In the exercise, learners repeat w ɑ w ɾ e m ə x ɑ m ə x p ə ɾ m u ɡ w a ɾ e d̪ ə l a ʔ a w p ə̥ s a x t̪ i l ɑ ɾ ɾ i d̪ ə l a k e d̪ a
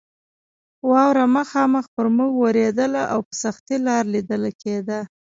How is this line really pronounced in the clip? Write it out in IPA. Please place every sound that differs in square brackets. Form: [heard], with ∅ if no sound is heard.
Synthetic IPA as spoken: w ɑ w ɾ [a] m ə x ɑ m ə x p ə ɾ m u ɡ w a ɾ e d̪ ə l a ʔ a w p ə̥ s a x t̪ i l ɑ ɾ [l] i d̪ ə l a k e d̪ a